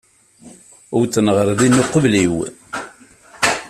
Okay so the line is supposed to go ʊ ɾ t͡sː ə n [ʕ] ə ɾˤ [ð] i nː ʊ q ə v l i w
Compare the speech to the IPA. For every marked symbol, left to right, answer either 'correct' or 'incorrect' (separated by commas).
incorrect, correct